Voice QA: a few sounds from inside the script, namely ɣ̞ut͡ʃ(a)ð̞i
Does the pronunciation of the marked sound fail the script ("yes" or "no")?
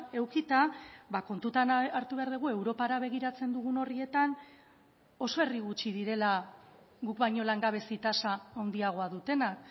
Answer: yes